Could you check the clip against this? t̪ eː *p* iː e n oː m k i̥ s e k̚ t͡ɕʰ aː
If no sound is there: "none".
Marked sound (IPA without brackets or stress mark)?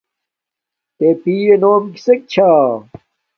p